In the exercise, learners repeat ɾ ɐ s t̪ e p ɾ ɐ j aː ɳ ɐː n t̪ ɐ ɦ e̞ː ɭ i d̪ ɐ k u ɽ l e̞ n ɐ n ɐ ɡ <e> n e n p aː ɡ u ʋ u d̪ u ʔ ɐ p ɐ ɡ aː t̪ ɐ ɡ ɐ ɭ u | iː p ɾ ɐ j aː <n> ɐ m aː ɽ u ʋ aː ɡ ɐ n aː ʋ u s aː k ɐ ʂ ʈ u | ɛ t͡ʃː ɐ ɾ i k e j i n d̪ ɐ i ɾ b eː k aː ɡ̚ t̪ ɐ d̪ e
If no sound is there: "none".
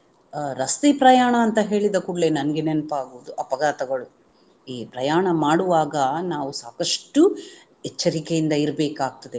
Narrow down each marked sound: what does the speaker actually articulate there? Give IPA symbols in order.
e, ɳ

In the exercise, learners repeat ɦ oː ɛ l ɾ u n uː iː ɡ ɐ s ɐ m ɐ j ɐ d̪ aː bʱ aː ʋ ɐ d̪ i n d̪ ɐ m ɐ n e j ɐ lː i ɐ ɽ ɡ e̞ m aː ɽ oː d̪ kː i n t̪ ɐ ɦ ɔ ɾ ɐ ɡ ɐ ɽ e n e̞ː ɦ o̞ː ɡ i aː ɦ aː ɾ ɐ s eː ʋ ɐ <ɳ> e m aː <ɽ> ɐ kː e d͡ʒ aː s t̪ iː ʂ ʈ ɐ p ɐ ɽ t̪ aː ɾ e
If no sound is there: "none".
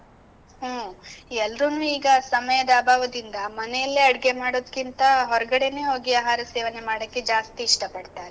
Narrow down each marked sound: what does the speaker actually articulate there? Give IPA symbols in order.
n, ɽ

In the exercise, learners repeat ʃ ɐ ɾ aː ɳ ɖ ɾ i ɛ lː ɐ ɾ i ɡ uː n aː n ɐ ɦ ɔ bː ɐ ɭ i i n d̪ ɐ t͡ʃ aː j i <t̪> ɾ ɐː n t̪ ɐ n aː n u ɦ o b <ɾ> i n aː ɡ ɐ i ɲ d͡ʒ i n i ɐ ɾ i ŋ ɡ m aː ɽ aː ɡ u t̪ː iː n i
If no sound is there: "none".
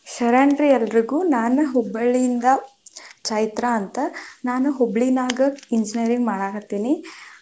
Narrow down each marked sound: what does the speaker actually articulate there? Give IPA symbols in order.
t̪, ɭ

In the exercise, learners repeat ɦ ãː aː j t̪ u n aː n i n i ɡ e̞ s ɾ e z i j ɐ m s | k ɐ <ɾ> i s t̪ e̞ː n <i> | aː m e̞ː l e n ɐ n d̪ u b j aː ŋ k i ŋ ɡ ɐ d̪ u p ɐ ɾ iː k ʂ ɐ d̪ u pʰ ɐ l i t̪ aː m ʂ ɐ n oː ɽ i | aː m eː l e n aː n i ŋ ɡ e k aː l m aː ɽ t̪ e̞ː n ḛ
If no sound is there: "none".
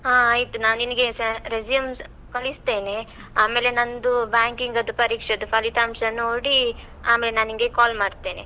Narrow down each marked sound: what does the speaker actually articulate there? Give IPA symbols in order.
ɭ, e

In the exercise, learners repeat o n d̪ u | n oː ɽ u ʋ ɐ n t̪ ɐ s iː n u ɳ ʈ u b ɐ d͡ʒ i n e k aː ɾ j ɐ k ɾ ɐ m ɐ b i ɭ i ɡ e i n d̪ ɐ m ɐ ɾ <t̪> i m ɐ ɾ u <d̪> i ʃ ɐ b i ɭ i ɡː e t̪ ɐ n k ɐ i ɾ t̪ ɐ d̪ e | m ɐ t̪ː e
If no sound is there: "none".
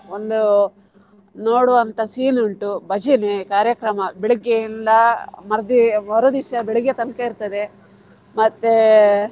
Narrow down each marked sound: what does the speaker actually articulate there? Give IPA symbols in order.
d̪, d̪

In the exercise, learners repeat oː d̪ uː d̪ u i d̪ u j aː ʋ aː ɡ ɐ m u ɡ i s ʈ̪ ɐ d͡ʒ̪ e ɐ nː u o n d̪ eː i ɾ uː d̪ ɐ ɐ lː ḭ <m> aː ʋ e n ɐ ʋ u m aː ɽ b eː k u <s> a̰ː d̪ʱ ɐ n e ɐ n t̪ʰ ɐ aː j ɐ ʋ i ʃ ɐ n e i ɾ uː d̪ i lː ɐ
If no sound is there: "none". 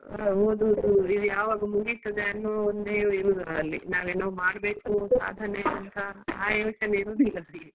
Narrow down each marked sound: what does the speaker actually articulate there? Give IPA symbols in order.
n, s

